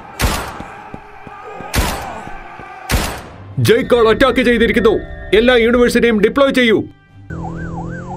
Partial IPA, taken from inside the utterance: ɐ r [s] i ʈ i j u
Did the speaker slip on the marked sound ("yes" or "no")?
no